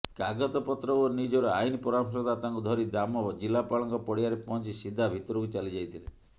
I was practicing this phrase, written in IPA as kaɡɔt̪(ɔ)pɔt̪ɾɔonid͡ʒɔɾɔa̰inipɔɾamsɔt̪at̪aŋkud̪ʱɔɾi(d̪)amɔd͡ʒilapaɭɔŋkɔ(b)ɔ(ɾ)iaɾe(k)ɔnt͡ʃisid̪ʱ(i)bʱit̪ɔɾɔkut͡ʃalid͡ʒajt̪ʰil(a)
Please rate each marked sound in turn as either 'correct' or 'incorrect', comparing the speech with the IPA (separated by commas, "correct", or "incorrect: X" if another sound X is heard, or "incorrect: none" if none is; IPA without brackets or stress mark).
correct, correct, incorrect: p, incorrect: ɽ, incorrect: p, incorrect: a, incorrect: e